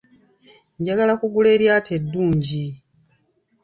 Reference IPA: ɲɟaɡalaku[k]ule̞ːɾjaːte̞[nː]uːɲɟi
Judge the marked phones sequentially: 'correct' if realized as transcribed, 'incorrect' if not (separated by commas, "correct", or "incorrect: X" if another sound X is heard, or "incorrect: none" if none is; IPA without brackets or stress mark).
incorrect: ɡ, incorrect: dː